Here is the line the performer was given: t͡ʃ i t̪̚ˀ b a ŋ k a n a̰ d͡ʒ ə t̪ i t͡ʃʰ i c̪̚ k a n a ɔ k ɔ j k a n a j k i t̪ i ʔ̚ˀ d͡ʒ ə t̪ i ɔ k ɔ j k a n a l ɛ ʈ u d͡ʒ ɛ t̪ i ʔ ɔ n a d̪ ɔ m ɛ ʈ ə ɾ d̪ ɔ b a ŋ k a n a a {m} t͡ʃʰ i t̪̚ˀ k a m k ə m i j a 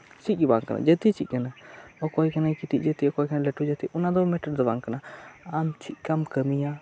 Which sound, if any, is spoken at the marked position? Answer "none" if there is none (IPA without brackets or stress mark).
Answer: m